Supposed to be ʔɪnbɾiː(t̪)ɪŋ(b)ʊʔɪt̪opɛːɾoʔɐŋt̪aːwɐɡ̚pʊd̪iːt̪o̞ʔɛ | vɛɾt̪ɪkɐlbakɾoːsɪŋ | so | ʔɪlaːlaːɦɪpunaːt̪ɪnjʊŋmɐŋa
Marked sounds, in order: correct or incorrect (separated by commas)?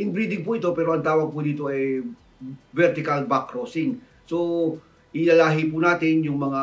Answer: incorrect, incorrect